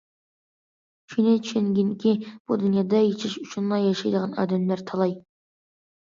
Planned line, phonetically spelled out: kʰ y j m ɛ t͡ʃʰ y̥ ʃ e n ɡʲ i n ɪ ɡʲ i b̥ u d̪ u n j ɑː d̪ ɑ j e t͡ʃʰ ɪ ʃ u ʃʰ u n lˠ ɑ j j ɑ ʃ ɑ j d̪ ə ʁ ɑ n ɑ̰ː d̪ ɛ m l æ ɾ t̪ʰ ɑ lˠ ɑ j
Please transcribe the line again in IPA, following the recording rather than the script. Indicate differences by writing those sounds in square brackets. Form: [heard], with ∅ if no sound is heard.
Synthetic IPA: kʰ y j [n] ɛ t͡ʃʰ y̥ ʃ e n ɡʲ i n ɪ [kʲ] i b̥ u d̪ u n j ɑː d̪ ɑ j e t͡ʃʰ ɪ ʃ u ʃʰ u n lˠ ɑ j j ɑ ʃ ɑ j d̪ ə ʁ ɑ n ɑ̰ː d̪ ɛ m l æ ɾ t̪ʰ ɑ lˠ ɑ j

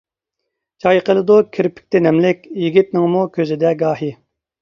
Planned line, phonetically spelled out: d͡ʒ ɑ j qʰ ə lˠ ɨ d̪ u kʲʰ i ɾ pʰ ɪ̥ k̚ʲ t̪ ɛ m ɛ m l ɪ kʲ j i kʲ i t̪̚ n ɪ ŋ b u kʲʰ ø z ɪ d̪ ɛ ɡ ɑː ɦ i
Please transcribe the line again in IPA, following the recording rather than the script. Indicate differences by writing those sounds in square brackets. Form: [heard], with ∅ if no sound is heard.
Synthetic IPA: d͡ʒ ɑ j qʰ ə lˠ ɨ d̪ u kʲʰ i ɾ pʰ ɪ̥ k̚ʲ t̪ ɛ [n] ɛ m l ɪ kʲ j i [ɡʲ] i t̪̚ n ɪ ŋ [m] u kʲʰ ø z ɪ d̪ ɛ ɡ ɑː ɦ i

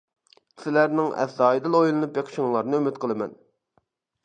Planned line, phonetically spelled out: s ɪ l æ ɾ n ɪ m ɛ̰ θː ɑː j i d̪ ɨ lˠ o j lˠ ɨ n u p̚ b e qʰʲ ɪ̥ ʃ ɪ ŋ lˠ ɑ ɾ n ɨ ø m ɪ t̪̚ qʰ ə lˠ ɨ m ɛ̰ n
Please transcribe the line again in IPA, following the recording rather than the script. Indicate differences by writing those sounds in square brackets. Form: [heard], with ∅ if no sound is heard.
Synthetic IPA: s ɪ l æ ɾ n ɪ [ŋ] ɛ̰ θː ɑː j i d̪ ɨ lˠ o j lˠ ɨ n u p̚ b e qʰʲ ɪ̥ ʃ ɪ ŋ lˠ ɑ ɾ n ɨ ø m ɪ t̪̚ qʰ ə lˠ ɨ m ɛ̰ n

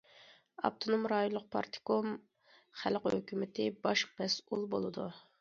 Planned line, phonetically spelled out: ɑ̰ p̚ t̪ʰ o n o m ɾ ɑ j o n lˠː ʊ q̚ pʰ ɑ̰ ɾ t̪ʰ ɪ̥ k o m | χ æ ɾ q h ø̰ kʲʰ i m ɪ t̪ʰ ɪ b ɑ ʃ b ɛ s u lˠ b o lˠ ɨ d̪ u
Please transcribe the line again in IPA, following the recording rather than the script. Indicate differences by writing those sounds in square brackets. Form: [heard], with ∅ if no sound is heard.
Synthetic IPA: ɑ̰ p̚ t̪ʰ o n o m ɾ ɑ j o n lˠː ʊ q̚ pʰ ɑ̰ ɾ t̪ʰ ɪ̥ k o m | χ æ [l] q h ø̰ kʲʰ [y] m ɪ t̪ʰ ɪ b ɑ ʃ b ɛ s u lˠ b o lˠ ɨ d̪ u

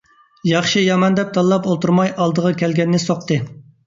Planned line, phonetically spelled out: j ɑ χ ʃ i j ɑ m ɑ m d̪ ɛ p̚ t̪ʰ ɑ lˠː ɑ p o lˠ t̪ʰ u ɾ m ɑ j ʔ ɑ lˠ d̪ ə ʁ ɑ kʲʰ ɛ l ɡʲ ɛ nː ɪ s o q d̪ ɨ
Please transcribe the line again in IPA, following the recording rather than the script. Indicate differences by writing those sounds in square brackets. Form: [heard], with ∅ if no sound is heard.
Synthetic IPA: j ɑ χ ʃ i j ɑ m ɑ [n] d̪ ɛ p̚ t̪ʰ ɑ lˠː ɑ p o lˠ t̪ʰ u ɾ m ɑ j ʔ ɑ lˠ d̪ ə ʁ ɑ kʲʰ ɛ l ɡʲ ɛ nː ɪ s o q [t̪] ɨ

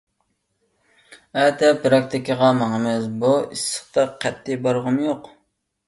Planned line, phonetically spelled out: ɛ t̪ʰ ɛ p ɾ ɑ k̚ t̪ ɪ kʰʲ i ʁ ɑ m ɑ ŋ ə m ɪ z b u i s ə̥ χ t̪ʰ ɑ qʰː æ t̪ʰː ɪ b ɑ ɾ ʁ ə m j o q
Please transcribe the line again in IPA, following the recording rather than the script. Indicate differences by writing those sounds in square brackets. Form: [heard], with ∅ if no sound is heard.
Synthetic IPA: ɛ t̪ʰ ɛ p ɾ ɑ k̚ t̪ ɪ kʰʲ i ʁ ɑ m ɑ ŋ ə m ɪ z b u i s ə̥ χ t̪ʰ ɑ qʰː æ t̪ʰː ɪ b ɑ ɾ ʁ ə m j o q

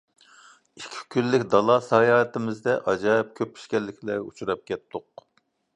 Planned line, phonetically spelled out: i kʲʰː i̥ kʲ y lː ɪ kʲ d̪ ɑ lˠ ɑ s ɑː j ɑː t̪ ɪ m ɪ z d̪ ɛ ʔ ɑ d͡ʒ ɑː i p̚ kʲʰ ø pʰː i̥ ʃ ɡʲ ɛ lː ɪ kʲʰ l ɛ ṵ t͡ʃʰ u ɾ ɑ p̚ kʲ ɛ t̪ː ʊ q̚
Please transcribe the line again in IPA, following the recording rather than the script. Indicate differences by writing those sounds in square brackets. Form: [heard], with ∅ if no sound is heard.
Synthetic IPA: i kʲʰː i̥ kʲ y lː ɪ kʲ d̪ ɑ lˠ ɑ s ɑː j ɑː t̪ ɪ m ɪ z d̪ ɛ ʔ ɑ d͡ʒ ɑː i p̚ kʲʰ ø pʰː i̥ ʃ [kʲ] ɛ lː ɪ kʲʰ l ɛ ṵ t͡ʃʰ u ɾ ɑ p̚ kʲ ɛ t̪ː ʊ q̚

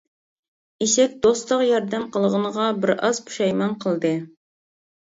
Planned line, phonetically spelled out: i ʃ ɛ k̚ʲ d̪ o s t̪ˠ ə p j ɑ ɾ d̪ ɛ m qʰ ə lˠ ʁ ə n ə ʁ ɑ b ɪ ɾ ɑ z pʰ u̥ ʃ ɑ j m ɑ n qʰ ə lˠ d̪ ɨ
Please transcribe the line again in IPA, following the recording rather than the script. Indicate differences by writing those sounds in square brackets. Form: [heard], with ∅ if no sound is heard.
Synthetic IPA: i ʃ ɛ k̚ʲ d̪ o s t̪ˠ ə [q] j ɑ ɾ d̪ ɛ m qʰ ə lˠ ʁ ə n ə ʁ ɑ b ɪ ɾ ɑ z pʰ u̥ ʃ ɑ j m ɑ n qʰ ə lˠ d̪ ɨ

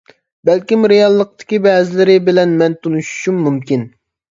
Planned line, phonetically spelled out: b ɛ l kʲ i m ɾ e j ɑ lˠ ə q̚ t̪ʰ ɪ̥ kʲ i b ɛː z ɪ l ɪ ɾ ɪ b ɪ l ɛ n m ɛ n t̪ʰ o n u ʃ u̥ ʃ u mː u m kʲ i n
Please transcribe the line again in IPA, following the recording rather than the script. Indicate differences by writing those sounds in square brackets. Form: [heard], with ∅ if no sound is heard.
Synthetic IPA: b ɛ l kʲ i m ɾ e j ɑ [lˠː] ə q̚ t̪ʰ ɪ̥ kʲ i b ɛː z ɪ l ɪ ɾ ɪ b ɪ l ɛ n m ɛ n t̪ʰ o n u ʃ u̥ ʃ u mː u m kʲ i n

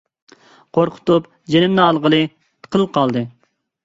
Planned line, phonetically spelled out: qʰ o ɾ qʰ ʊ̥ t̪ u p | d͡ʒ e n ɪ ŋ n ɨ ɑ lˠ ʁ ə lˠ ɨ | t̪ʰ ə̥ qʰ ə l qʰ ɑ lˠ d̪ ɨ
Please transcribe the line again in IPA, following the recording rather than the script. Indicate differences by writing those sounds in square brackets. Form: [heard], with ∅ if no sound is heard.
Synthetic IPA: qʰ o ɾ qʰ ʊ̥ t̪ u p | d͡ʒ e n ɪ [m] n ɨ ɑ lˠ ʁ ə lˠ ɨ | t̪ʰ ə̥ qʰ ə l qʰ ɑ lˠ d̪ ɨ

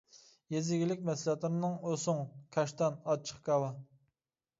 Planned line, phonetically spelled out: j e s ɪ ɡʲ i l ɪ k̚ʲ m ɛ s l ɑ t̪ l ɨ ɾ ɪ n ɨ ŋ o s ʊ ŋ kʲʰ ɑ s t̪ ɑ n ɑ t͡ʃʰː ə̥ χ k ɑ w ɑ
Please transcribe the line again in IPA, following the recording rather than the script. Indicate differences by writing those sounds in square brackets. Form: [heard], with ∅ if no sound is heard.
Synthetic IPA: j e [z] ɪ ɡʲ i l ɪ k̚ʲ m ɛ s l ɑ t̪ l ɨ ɾ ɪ n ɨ ŋ o s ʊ ŋ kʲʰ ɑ [ʃ] t̪ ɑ n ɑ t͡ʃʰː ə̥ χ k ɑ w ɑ

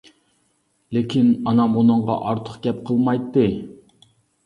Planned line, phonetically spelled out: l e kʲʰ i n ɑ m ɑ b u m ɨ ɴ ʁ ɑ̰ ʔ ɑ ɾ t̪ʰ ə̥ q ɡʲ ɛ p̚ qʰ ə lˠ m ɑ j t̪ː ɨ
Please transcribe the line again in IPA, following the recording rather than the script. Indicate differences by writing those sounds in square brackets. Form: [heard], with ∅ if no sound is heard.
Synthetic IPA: l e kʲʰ i n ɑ [n] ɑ [m] u [n] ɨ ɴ ʁ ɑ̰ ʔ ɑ ɾ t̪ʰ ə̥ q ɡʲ ɛ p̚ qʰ ə lˠ m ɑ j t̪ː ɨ

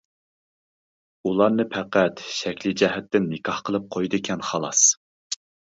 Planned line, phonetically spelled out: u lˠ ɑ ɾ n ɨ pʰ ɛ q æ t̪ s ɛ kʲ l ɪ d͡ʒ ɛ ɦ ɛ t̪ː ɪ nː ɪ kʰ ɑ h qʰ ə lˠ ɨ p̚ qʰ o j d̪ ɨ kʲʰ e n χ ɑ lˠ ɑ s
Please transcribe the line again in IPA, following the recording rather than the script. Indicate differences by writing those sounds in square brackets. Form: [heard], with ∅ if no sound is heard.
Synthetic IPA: u lˠ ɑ ɾ n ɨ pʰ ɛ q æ t̪ [ʃ] ɛ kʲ l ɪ d͡ʒ ɛ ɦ ɛ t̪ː ɪ nː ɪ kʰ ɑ h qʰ ə lˠ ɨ p̚ qʰ o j d̪ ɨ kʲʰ [ɛ] n χ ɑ lˠ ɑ s

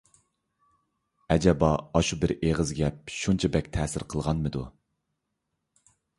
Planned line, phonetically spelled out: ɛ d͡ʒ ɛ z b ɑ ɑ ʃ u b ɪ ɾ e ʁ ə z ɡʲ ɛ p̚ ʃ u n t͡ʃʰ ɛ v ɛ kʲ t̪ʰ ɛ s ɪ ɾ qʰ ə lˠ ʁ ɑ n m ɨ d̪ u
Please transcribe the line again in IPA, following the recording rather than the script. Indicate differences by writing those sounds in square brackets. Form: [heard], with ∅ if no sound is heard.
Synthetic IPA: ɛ d͡ʒ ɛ [∅] b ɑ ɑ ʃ u b ɪ ɾ e ʁ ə z ɡʲ ɛ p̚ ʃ u n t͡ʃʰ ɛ [b] ɛ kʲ t̪ʰ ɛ s ɪ ɾ qʰ ə lˠ ʁ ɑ n m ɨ d̪ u

